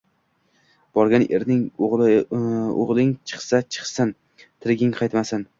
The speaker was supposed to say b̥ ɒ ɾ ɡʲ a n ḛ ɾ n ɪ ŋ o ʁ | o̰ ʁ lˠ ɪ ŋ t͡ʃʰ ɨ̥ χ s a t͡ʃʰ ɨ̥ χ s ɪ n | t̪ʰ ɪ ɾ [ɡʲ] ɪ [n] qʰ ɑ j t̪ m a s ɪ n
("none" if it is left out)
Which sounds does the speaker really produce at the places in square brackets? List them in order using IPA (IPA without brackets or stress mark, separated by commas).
ɡʲ, ŋ